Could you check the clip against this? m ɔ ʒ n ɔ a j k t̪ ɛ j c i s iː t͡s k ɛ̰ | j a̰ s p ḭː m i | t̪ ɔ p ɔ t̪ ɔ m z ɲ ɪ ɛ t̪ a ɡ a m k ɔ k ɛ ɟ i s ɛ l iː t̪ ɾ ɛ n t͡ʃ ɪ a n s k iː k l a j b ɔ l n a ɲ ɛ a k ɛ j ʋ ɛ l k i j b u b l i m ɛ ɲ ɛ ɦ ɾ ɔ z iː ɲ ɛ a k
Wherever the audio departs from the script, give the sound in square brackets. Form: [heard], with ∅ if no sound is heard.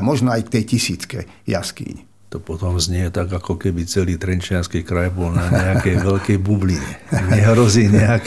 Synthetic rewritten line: m ɔ ʒ n ɔ a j k t̪ ɛ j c i s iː t͡s k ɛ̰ | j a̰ s [k] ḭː [ɲ] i | t̪ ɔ p ɔ t̪ ɔ m z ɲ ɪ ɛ t̪ a ɡ a [∅] k ɔ k ɛ [b] i [t͡s] ɛ l iː t̪ ɾ ɛ n t͡ʃ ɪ a n s k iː k [ɾ] a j b ɔ l n a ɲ ɛ a k ɛ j ʋ ɛ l k [ɛ] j b u b l i [ɲ] ɛ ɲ ɛ ɦ ɾ ɔ z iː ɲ ɛ a k